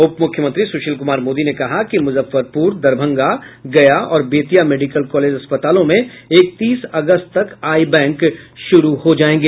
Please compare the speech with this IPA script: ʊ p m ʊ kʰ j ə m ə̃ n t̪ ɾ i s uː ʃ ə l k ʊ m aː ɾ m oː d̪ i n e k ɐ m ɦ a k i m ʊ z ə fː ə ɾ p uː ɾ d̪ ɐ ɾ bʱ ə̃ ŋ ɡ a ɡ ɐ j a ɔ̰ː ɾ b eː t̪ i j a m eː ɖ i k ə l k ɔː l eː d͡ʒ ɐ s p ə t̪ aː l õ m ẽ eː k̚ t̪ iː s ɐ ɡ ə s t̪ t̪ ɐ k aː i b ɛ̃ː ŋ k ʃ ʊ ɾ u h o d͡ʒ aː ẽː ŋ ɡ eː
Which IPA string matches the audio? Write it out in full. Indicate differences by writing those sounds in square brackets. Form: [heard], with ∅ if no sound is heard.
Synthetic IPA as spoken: ʊ p m ʊ kʰ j ə m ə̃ n t̪ ɾ i s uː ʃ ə l k ʊ m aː ɾ m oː d̪ i n e k ɐ [∅] ɦ a k i m ʊ z ə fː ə ɾ p uː ɾ d̪ ɐ ɾ bʱ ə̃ ŋ ɡ a ɡ ɐ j a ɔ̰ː ɾ b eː t̪ i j a m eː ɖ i k ə l k ɔː l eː d͡ʒ ɐ s p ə t̪ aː l õ m ẽ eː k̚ t̪ iː s ɐ ɡ ə s t̪ t̪ ɐ k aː i b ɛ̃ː ŋ k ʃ ʊ ɾ u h o d͡ʒ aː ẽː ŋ ɡ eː